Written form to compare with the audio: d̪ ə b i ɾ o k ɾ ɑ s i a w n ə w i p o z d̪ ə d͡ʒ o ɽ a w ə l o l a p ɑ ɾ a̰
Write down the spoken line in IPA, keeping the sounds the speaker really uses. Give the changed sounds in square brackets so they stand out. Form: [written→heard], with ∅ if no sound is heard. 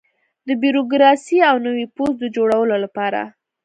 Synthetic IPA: d̪ ə b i ɾ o [k→ɡ] ɾ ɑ s i a w n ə w i p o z d̪ ə d͡ʒ o ɽ a w ə l o l a p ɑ ɾ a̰